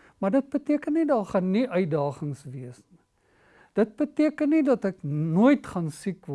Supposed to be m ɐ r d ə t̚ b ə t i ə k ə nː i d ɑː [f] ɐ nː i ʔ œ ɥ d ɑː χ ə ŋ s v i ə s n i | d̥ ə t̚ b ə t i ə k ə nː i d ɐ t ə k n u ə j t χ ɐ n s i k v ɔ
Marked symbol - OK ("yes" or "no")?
no